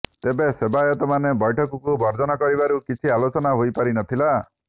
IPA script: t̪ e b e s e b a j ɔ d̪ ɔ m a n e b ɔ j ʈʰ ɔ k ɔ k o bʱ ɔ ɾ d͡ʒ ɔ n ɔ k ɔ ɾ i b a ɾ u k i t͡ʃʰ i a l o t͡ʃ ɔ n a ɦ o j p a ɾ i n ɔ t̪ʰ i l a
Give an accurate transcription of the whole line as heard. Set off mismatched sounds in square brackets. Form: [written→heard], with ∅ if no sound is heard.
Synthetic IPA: t̪ e b e s e b a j ɔ [d̪→t̪] ɔ m a n e b ɔ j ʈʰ ɔ k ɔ k [o→u] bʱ ɔ ɾ d͡ʒ ɔ n ɔ k ɔ ɾ i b a ɾ u k i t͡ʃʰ i a l o t͡ʃ ɔ n a ɦ o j p a ɾ i n ɔ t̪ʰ i l a